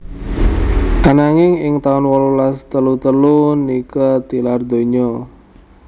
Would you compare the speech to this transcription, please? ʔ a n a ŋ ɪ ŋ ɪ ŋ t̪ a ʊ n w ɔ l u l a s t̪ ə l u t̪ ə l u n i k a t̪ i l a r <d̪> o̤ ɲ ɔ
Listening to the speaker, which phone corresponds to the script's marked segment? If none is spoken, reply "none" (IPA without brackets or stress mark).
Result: d̪